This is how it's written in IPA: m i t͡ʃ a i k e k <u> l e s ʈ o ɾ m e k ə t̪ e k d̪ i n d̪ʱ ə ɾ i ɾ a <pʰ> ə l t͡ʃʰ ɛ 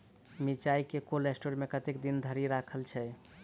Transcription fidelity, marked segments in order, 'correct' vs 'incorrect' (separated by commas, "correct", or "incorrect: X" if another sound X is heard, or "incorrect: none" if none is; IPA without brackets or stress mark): incorrect: o, incorrect: kʰ